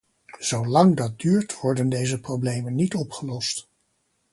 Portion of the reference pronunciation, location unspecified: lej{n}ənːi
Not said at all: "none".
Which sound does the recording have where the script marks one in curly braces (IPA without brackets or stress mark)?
m